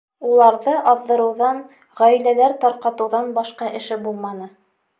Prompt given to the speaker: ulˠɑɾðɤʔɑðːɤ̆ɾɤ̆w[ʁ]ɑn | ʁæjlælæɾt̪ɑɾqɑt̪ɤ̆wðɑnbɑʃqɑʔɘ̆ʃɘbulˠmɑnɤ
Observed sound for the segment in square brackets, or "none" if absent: ð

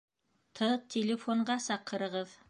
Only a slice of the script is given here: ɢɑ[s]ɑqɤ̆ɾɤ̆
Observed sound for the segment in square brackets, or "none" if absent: s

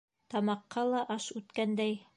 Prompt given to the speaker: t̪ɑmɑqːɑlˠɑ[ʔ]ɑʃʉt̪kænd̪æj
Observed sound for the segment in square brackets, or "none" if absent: ʔ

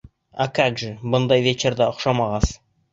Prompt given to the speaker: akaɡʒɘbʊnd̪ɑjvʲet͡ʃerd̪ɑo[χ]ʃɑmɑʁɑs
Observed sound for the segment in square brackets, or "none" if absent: χ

